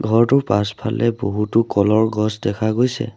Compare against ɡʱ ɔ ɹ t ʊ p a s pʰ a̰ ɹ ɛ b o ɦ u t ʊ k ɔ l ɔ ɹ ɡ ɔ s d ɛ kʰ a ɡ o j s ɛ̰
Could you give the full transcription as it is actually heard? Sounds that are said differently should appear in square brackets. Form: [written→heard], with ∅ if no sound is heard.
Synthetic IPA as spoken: ɡʱ ɔ ɹ t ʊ p a s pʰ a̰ [ɹ→l] ɛ b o ɦ u t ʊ k ɔ l ɔ ɹ ɡ ɔ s d ɛ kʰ a ɡ o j s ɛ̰